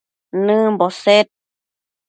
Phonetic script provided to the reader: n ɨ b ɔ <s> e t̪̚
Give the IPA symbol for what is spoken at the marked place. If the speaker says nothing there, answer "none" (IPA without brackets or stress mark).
s